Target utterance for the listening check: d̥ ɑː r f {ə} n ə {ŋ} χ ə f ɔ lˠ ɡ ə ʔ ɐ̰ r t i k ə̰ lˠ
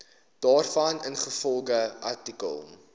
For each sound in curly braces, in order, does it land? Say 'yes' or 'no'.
no, no

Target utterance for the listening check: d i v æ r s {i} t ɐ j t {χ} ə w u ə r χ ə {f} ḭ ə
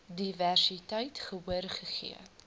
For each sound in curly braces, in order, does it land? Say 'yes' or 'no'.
yes, yes, no

